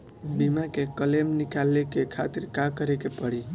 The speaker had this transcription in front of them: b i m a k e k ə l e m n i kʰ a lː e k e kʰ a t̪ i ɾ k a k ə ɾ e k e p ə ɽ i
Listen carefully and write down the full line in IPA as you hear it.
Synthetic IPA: b i m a k e k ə l e m n i k a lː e k e kʰ a t̪ i ɾ k a k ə ɾ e k e p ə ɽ i